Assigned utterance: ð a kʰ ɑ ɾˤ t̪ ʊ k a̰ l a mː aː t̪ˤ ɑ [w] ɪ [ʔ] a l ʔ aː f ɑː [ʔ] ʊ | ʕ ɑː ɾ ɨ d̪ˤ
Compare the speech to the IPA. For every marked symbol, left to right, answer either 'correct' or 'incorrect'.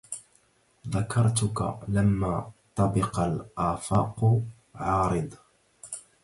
incorrect, incorrect, incorrect

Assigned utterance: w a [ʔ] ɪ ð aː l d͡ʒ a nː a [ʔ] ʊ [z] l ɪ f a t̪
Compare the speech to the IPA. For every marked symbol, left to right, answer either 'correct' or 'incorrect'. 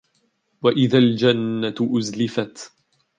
correct, correct, correct

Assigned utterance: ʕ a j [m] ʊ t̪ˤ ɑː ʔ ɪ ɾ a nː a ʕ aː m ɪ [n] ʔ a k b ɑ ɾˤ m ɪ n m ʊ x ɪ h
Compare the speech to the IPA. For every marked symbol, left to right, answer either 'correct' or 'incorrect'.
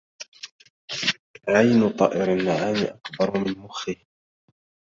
incorrect, incorrect

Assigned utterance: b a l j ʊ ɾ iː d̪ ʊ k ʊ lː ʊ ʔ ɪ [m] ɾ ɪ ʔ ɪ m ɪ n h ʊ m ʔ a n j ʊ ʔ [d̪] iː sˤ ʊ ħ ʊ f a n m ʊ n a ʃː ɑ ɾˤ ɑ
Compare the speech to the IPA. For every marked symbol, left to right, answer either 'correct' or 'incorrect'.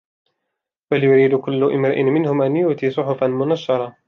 correct, incorrect

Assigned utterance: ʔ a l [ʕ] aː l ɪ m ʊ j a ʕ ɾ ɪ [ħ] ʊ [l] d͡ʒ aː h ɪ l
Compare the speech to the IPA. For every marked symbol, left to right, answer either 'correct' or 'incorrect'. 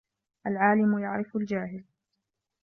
correct, incorrect, correct

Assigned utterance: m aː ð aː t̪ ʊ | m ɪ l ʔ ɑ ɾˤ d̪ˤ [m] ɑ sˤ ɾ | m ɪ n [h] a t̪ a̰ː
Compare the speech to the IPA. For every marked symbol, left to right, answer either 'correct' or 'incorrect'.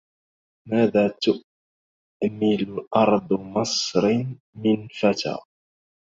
correct, incorrect

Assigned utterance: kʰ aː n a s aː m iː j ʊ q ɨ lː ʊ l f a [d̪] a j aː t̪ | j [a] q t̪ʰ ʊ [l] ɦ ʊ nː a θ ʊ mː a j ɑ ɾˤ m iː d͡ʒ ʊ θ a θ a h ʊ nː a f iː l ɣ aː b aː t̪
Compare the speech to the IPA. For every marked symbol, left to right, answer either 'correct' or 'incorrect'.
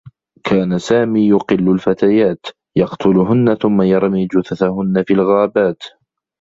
incorrect, incorrect, correct

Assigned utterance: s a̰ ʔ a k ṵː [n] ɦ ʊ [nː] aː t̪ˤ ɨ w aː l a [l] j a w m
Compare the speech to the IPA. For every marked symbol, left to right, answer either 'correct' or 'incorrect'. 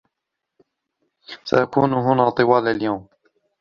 correct, incorrect, correct

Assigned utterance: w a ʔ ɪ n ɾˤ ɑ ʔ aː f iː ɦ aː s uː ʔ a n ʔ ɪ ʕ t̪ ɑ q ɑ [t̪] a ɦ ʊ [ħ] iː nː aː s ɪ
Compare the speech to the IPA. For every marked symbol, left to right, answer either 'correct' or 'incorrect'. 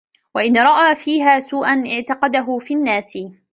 incorrect, incorrect

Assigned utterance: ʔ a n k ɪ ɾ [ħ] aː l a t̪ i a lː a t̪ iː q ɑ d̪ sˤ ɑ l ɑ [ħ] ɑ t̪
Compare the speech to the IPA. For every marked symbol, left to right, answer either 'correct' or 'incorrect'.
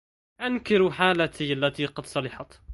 correct, correct

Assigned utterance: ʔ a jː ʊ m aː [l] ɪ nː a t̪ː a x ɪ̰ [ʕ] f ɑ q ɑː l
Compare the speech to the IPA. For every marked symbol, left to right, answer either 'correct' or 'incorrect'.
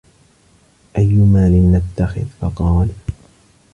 correct, incorrect

